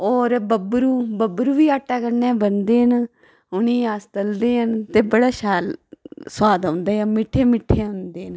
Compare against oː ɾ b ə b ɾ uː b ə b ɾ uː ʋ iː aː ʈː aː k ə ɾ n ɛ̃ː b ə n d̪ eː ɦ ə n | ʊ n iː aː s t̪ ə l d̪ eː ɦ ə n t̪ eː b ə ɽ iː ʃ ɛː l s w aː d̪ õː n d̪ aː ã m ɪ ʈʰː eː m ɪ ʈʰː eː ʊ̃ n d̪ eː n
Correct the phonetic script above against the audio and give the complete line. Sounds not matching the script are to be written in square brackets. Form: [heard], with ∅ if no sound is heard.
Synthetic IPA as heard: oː ɾ b ə b ɾ uː b ə b ɾ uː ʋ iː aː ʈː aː k ə ɾ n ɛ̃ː b ə n d̪ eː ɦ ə n | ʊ n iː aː s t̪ ə l d̪ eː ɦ ə n t̪ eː b ə ɽ [aː] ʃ [aː] l s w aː d̪ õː n d̪ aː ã m ɪ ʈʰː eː m ɪ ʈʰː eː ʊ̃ n d̪ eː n

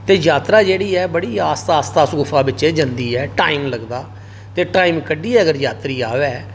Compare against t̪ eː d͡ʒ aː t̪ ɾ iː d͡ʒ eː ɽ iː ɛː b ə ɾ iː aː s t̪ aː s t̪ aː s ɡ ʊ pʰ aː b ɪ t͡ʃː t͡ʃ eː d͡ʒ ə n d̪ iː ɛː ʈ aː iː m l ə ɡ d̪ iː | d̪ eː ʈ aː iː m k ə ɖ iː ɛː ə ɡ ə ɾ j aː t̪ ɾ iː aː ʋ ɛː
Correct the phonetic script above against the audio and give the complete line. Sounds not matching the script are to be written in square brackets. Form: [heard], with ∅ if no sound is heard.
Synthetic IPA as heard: t̪ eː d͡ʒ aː t̪ ɾ [aː] d͡ʒ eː ɽ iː ɛː b ə [ɽ] iː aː s t̪ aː s t̪ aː s ɡ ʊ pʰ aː b ɪ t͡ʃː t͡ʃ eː d͡ʒ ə n d̪ iː ɛː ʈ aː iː m l ə ɡ d̪ [aː] | [t̪] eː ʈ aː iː m k ə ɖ iː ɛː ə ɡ ə ɾ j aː t̪ ɾ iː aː ʋ ɛː

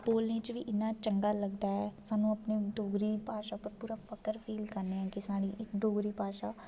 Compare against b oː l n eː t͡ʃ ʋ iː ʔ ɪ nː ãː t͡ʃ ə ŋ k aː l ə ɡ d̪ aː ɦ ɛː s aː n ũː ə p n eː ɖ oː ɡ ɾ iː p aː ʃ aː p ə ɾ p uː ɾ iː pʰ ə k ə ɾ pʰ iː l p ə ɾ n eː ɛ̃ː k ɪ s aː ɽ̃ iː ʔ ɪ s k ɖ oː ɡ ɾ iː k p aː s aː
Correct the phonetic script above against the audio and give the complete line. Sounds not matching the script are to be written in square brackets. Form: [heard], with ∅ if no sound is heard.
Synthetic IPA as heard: b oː l n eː t͡ʃ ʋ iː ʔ ɪ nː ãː t͡ʃ ə ŋ [ɡ] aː l ə ɡ d̪ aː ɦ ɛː s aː n ũː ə p n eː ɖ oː ɡ ɾ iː p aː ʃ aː p ə ɾ p uː ɾ [aː] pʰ ə k ə ɾ pʰ iː l [k] ə ɾ n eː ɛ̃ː k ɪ s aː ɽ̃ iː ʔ ɪ [∅] k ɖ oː ɡ ɾ iː [∅] p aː [ʃ] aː

